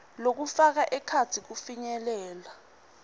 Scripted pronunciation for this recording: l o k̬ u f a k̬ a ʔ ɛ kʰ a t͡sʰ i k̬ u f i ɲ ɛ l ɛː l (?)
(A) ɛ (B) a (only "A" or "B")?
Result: B